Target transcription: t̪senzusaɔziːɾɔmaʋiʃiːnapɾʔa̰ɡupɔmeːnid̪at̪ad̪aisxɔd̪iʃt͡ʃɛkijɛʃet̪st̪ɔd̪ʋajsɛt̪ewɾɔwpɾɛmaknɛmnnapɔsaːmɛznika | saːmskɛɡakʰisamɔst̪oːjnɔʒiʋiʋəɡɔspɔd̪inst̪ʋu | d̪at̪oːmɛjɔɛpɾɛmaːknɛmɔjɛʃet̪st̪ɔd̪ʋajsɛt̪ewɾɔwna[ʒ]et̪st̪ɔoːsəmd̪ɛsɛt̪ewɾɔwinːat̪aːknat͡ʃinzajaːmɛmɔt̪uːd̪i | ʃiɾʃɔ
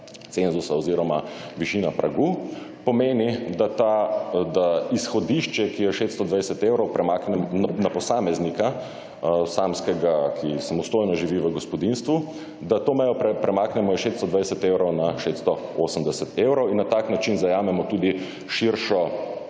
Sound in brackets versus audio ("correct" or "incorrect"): incorrect